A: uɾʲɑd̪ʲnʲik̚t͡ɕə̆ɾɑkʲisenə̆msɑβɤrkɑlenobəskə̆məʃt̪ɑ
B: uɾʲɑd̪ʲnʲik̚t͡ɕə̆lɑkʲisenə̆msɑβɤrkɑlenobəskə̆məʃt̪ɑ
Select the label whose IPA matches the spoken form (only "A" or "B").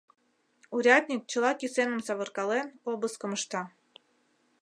B